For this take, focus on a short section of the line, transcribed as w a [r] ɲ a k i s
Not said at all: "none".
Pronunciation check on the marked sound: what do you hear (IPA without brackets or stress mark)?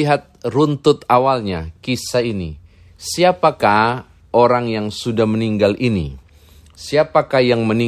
l